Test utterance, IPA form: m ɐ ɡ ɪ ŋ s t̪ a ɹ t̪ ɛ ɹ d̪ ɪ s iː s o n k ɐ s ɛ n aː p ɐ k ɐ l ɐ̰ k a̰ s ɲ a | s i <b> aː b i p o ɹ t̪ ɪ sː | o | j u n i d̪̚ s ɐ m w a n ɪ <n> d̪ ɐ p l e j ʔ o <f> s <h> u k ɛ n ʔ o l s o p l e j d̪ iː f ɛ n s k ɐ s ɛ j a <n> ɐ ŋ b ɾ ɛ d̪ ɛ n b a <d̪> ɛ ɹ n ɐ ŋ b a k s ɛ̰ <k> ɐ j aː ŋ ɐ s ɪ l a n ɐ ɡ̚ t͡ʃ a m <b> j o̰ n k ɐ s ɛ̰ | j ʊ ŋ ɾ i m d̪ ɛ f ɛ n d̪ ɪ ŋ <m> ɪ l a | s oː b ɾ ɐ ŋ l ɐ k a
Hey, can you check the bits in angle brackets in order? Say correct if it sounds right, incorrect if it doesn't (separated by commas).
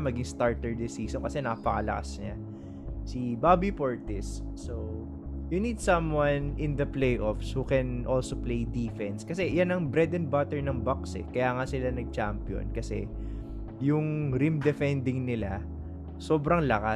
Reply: correct, correct, correct, correct, correct, incorrect, correct, incorrect, incorrect